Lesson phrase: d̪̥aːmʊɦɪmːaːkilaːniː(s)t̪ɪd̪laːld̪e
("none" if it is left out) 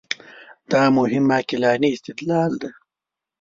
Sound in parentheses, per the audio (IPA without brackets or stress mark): s